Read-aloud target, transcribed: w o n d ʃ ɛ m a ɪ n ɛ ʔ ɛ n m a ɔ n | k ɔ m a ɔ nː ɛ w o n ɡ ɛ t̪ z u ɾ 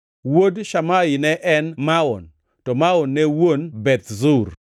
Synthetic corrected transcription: w o d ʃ a m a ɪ n ɛ ʔ ɛ n m a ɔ n | t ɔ m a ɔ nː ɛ w o n b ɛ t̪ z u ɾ